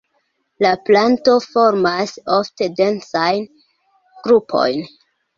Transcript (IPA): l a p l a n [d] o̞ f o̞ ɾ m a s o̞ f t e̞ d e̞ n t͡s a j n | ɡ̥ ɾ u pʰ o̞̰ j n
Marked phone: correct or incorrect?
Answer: incorrect